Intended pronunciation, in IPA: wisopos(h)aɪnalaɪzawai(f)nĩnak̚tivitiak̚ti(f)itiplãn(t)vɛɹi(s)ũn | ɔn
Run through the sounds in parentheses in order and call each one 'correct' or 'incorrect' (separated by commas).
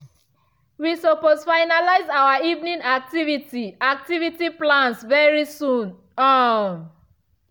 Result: incorrect, incorrect, incorrect, incorrect, correct